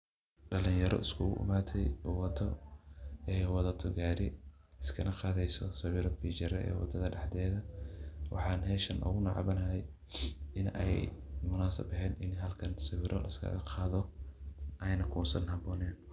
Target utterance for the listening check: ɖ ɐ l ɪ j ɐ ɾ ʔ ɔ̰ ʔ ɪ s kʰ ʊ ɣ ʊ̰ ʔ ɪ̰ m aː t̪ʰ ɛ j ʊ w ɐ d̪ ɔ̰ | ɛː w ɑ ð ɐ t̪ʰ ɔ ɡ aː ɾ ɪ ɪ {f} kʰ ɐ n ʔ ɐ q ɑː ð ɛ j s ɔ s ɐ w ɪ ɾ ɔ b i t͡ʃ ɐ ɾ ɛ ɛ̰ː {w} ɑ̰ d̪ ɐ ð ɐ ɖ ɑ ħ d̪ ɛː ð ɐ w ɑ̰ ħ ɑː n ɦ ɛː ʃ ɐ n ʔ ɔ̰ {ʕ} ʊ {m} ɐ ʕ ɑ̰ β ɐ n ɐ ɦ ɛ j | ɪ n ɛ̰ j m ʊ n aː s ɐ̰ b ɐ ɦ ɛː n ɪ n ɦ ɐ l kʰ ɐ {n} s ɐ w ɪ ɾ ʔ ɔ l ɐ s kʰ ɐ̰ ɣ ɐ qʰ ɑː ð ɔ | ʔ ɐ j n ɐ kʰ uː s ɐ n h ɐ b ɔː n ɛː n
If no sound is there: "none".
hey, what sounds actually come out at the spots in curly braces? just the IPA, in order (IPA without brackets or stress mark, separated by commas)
s, w, ɣ, n, n